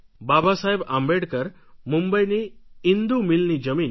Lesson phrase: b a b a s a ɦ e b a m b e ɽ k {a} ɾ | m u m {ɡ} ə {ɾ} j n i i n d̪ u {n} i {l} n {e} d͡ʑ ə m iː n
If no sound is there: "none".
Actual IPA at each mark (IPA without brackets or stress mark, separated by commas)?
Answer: ə, b, none, m, l, i